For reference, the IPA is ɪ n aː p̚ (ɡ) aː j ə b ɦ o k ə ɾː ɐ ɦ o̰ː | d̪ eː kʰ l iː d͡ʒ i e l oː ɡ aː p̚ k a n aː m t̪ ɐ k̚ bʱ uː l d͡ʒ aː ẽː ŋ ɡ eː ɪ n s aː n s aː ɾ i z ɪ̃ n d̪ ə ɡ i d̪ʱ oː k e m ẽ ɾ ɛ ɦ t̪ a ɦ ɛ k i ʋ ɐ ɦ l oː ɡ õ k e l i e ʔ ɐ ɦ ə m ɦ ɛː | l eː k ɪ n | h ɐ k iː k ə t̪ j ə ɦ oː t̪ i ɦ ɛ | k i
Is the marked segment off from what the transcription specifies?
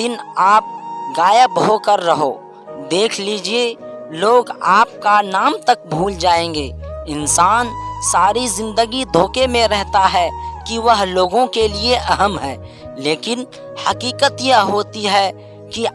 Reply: no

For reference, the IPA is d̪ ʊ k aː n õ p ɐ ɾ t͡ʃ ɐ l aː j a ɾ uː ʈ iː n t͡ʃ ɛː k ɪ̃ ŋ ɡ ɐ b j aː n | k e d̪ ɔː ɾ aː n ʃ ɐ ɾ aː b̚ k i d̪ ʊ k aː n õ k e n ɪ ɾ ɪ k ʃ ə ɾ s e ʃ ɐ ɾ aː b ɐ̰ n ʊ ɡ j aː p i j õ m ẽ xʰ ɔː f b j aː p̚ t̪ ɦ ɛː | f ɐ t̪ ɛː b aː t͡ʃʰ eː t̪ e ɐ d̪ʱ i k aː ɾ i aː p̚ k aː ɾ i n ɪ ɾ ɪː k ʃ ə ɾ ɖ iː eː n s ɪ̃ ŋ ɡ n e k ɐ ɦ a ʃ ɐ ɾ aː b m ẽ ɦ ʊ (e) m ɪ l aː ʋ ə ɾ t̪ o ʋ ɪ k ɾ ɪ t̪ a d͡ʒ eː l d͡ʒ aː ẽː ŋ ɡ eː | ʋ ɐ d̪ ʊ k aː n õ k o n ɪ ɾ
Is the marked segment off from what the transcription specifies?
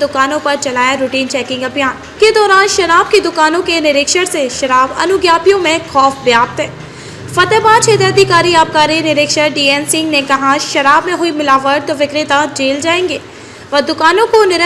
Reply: yes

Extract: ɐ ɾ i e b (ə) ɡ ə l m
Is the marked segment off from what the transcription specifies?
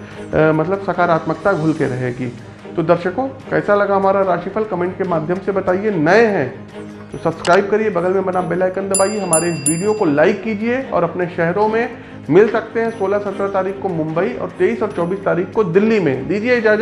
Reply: yes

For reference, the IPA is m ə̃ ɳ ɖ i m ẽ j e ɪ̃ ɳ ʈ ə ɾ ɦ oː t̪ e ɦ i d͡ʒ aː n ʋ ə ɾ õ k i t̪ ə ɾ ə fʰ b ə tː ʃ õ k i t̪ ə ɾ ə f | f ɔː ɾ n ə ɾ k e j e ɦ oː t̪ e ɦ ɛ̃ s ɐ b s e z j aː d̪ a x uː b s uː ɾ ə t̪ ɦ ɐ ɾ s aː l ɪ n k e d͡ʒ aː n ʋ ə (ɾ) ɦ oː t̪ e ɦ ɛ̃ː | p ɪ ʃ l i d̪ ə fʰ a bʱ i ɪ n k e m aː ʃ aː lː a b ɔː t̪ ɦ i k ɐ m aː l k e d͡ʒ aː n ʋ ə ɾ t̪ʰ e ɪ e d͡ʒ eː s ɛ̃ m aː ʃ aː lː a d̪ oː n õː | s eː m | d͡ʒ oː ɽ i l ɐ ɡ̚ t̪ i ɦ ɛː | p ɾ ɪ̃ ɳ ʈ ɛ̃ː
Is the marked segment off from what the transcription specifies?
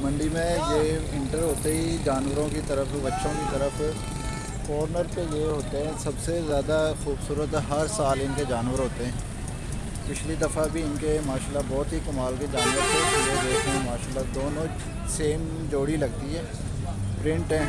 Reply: no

